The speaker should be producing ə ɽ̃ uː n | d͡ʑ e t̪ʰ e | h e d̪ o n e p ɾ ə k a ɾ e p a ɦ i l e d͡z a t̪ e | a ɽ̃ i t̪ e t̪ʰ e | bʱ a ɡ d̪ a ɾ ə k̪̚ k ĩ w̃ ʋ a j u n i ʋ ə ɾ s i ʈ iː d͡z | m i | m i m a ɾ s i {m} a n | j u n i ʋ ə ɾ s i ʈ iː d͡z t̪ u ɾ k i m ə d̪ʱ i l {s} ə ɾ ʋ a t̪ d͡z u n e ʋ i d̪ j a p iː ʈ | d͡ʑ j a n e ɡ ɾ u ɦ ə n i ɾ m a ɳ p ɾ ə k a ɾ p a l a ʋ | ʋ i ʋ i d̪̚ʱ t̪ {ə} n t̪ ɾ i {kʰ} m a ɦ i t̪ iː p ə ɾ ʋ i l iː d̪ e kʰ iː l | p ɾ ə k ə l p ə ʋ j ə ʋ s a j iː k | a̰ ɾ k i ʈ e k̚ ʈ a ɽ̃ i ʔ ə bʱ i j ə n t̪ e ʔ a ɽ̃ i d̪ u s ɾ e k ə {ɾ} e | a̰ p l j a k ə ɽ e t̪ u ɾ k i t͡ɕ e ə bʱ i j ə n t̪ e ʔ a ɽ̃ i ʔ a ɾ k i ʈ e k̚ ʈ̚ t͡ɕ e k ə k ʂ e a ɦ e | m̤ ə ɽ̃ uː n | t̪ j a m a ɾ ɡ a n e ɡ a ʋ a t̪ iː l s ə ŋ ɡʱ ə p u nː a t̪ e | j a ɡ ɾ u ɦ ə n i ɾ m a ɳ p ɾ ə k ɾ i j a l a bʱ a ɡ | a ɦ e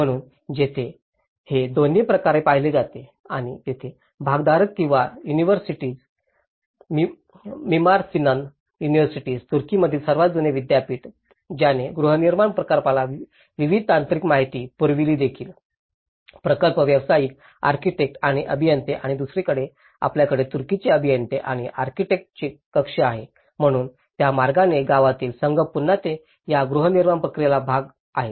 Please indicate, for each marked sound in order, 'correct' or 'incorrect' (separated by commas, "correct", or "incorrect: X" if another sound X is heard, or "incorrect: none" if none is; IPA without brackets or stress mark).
incorrect: n, correct, incorrect: a, incorrect: k, incorrect: ɽ